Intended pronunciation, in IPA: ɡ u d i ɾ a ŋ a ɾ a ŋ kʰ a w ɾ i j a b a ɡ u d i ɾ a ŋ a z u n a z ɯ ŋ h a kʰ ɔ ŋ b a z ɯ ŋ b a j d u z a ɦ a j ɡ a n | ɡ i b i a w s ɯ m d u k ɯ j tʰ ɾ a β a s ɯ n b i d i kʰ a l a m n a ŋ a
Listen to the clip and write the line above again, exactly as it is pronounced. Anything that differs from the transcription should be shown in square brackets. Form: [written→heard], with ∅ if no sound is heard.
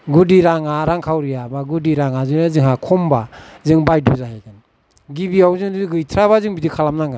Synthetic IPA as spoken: ɡ u d i ɾ a ŋ a ɾ a ŋ kʰ a w ɾ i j a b a ɡ u d i ɾ a ŋ a z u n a z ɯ ŋ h a kʰ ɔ [ŋ→m] b a z ɯ ŋ b a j d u z a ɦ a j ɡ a n | ɡ i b i a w [s→z] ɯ [m→ŋ] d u [k→ɡ] ɯ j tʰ ɾ a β a [s→z] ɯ [n→ŋ] b i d i kʰ a l a m n a ŋ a